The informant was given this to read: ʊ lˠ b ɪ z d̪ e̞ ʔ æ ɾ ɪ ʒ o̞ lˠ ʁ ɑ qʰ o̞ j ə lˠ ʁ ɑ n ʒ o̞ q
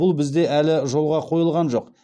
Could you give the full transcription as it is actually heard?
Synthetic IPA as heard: ʊ lˠ b ɪ z d̪ e̞ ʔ æ l ɪ ʒ o̞ lˠ ʁ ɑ qʰ o̞ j ə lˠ ʁ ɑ n ʒ o̞ q